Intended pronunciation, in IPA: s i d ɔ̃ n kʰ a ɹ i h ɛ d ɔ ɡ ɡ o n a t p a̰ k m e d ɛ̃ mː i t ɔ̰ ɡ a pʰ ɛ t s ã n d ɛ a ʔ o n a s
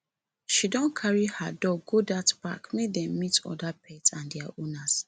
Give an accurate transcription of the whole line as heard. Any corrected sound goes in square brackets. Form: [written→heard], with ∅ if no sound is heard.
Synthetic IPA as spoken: [s→ʃ] i d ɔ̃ n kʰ a ɹ i h [ɛ→a] d ɔ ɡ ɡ o [n→d] a t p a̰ k m e d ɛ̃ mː i t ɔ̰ [ɡ→d] a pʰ ɛ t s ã n d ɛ a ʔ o n a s

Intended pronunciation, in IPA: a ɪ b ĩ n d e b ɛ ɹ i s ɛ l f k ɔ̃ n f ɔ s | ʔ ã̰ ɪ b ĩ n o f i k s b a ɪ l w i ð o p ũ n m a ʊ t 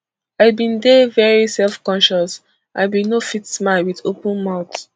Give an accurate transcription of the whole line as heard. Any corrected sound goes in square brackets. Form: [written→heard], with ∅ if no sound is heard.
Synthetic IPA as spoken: a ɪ b ĩ n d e [b→v] ɛ ɹ i s ɛ l f k ɔ̃ n [f→ʃ] ɔ s | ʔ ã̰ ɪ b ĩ n o f i [k→t] s [b→m] a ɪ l w i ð o p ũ n m a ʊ t

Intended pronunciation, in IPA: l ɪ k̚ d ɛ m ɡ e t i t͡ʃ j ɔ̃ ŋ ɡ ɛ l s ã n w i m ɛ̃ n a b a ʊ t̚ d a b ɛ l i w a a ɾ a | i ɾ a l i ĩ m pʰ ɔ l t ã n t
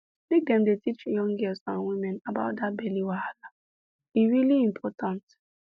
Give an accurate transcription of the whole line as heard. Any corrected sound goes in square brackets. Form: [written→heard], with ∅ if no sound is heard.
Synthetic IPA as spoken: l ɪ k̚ d ɛ m [ɡ→d] e t i t͡ʃ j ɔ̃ ŋ ɡ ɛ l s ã n w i m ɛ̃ n a b a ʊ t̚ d a b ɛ l i w a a [ɾ→l] a | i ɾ [a→i] l i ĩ m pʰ ɔ [l→∅] t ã n t

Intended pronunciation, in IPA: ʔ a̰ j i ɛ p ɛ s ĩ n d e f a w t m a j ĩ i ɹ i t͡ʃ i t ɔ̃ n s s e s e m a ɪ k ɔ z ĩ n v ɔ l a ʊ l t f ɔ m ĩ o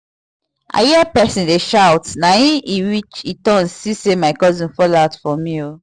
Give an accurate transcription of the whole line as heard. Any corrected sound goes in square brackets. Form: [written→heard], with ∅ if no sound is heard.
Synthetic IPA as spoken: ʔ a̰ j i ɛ p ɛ s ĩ n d e [f→ʃ] a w t [m→n] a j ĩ i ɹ i t͡ʃ i t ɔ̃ n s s [e→i] s e m a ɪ k ɔ z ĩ n [v→f] ɔ l a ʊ [l→∅] t f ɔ m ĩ o

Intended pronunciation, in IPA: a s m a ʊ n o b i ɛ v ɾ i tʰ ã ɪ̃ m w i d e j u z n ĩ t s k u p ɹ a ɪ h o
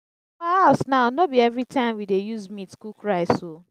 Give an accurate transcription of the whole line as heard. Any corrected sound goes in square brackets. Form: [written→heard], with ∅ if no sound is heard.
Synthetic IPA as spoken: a s [m→n] a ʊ n o b i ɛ v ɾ i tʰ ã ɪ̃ m w i d e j u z [n→m] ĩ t s k u [p→k] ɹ a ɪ [h→s] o

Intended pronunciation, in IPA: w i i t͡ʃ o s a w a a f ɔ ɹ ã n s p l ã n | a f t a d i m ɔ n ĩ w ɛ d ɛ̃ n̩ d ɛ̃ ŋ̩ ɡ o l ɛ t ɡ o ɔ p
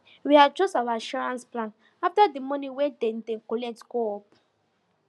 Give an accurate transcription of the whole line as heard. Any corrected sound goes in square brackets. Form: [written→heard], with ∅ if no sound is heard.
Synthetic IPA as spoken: w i [i→a] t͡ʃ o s a w a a [f→ʃ] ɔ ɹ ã n s p l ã n | a f t a d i m ɔ n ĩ w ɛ d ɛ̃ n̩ d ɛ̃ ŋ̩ [ɡ→k] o l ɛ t ɡ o ɔ p

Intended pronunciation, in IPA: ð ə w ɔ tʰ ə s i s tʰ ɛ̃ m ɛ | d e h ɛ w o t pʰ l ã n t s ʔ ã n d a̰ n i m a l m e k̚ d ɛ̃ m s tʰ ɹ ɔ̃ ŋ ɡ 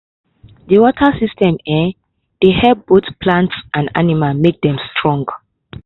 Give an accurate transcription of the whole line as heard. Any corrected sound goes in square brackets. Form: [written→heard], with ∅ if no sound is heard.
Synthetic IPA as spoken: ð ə w ɔ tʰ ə s i s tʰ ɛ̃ m ɛ | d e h ɛ [w→b] o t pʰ l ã n t s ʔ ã n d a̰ n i m a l m e k̚ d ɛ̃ m s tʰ ɹ ɔ̃ ŋ ɡ

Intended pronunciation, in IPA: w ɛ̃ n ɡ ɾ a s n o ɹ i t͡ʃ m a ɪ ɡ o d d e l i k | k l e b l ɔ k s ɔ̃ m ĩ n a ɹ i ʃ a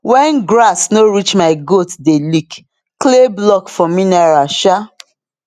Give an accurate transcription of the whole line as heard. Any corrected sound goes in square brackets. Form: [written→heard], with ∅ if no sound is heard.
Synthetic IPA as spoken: w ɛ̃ n ɡ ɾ a s n o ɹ i t͡ʃ m a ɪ ɡ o [d→t] d e l i k | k l e b l ɔ k [s→f] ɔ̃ m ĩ n a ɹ [i→a] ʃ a

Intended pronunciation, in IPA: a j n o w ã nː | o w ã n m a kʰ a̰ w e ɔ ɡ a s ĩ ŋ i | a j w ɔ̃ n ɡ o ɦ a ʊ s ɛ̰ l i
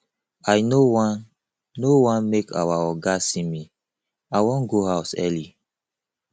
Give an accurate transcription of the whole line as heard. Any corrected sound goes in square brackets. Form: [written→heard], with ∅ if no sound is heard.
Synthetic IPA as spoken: a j n o w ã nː | o w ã n m [a→e] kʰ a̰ w [e→a] ɔ ɡ a s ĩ [ŋ→m] i | a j w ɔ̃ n ɡ o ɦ a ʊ s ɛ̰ l i

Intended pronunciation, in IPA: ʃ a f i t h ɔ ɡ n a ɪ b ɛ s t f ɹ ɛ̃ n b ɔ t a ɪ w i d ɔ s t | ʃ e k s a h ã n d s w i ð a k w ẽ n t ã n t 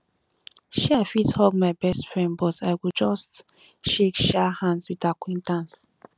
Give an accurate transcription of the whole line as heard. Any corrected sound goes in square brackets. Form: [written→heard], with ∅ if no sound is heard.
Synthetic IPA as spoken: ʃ a f i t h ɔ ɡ [n→m] a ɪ b ɛ s t f ɹ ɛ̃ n b ɔ t a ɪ w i [d→d͡ʒ] ɔ s t | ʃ e k [s→ʃ] a h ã n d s w i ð a k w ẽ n t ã n [t→s]

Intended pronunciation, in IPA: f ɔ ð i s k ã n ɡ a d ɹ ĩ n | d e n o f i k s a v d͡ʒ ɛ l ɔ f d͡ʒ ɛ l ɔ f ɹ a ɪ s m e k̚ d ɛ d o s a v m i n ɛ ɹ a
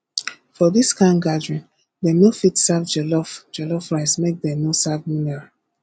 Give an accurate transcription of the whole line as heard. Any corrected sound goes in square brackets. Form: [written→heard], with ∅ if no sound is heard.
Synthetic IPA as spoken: f ɔ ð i s k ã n ɡ a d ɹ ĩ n | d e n o f i [k→t] s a v d͡ʒ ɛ l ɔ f d͡ʒ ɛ l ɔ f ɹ a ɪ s m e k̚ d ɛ [d→n] o s a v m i n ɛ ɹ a

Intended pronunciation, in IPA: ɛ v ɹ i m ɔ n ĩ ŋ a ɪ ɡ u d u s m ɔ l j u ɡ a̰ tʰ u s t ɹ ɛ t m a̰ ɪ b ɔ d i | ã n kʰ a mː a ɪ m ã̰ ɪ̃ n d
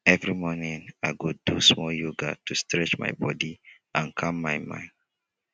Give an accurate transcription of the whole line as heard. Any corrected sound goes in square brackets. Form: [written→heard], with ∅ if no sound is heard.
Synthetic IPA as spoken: ɛ v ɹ i m ɔ n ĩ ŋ a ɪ ɡ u d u s m ɔ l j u ɡ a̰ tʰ u s t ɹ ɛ [t→t͡ʃ] m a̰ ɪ b ɔ d i | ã n kʰ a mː a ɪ m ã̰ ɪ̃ n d

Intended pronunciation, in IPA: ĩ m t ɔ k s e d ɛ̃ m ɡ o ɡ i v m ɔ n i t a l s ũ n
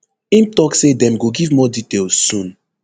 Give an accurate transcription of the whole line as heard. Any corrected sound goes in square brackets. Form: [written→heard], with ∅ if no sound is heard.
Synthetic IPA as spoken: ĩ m t ɔ k s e d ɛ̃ m ɡ o ɡ i v m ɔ [n→d] i t [a→e] l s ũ n

